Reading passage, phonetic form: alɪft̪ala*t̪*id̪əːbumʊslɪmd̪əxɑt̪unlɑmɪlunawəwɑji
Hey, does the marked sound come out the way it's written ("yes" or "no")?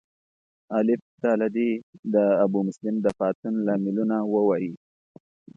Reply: no